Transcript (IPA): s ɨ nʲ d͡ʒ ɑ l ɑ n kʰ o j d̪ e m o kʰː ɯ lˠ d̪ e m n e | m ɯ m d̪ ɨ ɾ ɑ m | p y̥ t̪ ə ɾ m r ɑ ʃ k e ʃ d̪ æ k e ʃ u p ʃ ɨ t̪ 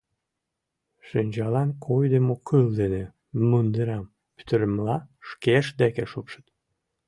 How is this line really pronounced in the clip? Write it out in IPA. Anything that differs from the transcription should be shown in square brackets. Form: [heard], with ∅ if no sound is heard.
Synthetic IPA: [ʃ] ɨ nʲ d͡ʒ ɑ l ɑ n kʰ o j d̪ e m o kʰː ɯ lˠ d̪ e [∅] n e | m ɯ [n] d̪ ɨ ɾ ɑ m | p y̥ t̪ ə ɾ m [l] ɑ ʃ k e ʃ d̪ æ k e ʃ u p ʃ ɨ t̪

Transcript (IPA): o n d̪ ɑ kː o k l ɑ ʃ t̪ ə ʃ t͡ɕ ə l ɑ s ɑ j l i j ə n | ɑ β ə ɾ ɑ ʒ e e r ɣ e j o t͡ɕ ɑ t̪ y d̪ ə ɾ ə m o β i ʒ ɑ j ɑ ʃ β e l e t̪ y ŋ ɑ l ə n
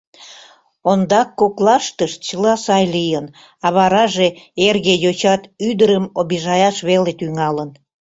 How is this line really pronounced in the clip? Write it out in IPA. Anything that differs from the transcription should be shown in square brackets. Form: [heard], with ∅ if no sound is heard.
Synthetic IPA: o n d̪ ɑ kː o k l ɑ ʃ t̪ ə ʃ t͡ɕ ə l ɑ s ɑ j l i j ə n | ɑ β [ɑ] ɾ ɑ ʒ e e r ɣ e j o t͡ɕ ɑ t̪ y d̪ ə ɾ ə m o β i ʒ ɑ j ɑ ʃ β e l e t̪ y ŋ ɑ l ə n

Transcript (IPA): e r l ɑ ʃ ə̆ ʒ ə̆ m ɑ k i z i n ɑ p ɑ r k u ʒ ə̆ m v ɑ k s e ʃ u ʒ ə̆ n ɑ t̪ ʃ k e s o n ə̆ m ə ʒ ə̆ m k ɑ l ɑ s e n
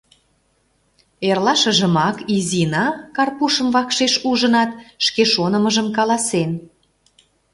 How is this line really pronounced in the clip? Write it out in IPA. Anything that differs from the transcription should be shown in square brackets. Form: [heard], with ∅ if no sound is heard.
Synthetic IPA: e r l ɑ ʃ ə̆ ʒ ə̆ m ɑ k i z i n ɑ [k] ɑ r [p] u [ʃ] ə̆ m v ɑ k [ʃ] e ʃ u ʒ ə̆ n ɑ t̪ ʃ k e [ʃ] o n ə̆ m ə ʒ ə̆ m k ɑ l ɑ s e n

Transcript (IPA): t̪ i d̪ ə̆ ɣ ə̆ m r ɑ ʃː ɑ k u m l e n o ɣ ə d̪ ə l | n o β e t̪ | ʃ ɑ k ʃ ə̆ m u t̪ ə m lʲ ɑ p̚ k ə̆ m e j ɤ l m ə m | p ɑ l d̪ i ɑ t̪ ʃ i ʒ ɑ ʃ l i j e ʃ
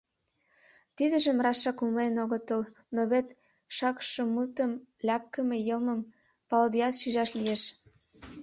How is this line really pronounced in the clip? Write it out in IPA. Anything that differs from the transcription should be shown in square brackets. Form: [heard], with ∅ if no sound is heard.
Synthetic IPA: t̪ i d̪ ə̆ [ʒ] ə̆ m r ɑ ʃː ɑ k u m l e n o ɣ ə [t̪] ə l | n o β e t̪ | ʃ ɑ k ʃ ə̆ m u t̪ ə m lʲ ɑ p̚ k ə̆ m e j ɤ l m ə m | p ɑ l d̪ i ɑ t̪ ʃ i ʒ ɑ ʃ l i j e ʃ

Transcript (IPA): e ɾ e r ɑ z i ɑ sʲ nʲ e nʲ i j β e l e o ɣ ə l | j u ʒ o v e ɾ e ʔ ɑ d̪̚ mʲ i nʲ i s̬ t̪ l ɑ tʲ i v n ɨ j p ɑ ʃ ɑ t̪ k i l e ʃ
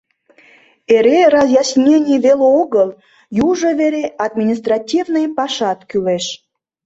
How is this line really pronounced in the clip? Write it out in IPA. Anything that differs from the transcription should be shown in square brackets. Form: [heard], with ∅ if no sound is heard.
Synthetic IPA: e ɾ e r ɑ z [j] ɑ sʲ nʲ e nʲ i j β e l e o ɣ ə l | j u ʒ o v e ɾ e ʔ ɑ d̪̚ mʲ i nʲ i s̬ t̪ [r] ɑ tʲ i v n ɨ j p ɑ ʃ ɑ t̪ k [y] l e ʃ

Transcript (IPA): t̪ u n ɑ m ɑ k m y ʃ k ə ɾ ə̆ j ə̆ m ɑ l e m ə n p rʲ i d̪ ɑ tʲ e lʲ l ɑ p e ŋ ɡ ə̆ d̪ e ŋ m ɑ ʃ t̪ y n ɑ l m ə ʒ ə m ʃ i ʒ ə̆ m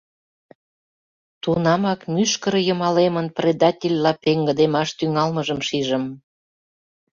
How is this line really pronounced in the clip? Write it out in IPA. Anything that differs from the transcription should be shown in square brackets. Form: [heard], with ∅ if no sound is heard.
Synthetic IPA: t̪ u n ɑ m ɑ k m y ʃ k ə ɾ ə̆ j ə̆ m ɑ l e m ə n p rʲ [e] d̪ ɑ tʲ e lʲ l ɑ p e ŋ ɡ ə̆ d̪ e [∅] m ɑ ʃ t̪ y [ŋ] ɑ l m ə ʒ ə m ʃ i ʒ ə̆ m

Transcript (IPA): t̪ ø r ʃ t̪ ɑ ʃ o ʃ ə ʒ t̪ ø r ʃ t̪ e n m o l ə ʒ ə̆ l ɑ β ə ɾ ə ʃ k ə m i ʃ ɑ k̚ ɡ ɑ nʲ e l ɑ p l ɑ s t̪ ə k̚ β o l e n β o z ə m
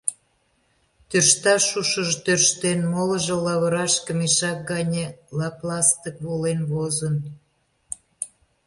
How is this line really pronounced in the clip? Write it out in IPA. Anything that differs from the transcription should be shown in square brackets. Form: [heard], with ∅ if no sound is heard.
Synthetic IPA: t̪ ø r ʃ t̪ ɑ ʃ [u] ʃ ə ʒ t̪ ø r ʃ t̪ e n m o l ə ʒ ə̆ l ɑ β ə ɾ [ɑ] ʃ k ə m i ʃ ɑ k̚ ɡ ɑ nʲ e l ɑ p l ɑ s t̪ ə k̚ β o l e n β o z ə [n]

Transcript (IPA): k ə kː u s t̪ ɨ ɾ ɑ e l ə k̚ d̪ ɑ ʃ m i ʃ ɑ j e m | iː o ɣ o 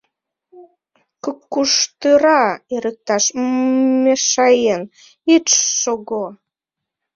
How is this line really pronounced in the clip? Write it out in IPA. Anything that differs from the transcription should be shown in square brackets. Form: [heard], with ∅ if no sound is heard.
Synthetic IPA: k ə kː u [ʃ] t̪ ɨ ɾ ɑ e [ɾ] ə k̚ [t̪] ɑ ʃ m [e] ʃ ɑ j e [n] | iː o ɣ o

